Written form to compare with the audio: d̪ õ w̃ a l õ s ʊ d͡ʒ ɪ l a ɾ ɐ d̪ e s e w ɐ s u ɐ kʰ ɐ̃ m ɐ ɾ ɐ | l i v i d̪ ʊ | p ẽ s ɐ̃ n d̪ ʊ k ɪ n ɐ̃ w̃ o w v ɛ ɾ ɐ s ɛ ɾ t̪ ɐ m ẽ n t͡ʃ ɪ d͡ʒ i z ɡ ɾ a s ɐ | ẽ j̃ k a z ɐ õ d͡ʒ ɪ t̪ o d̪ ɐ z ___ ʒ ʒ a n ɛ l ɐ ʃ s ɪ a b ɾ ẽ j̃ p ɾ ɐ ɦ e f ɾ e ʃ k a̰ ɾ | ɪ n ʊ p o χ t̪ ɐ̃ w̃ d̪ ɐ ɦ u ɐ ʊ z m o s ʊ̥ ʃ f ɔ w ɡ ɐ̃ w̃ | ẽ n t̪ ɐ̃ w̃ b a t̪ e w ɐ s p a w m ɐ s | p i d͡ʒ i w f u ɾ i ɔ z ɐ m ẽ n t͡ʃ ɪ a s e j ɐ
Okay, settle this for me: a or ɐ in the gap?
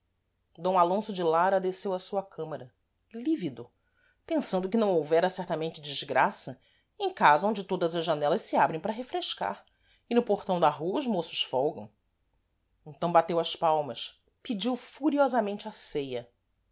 ɐ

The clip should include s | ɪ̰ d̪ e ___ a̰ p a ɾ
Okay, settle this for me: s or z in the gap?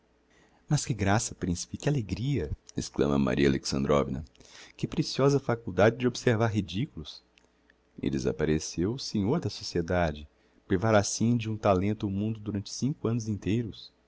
z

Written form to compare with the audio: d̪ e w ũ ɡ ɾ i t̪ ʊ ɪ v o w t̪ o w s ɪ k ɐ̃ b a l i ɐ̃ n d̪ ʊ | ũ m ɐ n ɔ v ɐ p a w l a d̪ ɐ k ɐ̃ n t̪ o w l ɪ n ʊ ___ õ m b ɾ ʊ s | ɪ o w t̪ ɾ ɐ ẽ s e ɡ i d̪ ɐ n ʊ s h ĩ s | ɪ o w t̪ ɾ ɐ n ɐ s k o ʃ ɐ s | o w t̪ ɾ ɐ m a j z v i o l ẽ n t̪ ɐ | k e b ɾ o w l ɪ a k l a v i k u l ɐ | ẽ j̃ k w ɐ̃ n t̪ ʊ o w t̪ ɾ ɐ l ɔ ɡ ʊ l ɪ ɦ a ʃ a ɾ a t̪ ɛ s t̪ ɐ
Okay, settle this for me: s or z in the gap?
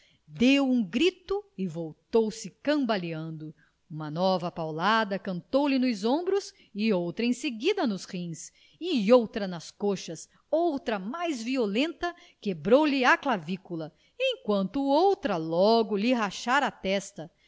z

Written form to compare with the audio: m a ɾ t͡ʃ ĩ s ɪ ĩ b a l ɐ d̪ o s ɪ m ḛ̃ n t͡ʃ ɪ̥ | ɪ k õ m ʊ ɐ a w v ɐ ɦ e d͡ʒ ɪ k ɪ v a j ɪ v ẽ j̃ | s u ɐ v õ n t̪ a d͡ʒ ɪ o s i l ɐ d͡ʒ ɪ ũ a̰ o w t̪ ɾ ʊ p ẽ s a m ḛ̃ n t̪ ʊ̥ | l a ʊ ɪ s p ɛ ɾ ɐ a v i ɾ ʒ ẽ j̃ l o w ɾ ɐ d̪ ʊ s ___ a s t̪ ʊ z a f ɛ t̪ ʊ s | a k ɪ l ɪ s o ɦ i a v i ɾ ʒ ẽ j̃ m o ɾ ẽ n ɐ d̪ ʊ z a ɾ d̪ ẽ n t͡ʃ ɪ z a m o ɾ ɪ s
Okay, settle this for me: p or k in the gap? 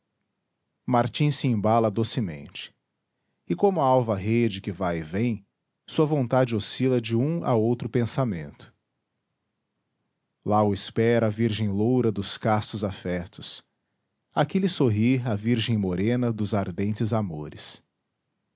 k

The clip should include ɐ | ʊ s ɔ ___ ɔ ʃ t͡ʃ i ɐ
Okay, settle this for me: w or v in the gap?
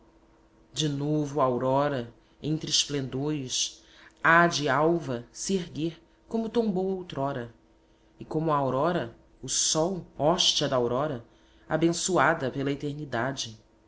w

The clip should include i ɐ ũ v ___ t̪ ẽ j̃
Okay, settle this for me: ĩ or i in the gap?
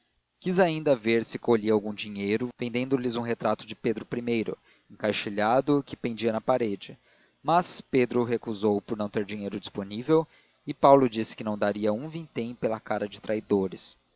ĩ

